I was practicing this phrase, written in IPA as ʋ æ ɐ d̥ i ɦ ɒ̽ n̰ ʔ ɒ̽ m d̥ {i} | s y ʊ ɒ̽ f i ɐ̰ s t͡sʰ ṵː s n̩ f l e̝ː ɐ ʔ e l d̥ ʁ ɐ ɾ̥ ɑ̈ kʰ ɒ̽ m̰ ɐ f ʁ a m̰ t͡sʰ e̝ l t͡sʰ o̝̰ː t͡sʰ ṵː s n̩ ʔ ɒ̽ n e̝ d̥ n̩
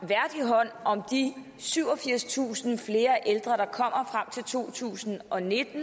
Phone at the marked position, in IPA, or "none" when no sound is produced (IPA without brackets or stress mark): i